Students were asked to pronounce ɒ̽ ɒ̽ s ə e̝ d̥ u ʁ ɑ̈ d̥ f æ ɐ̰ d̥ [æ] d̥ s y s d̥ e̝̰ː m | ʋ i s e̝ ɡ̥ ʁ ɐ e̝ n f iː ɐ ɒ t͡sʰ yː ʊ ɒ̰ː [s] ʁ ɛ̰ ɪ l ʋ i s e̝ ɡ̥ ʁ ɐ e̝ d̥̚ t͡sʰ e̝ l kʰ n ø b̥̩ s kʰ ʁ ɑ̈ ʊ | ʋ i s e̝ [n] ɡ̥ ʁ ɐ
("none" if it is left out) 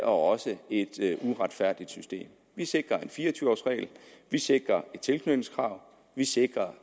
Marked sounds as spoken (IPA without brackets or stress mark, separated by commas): i, s, none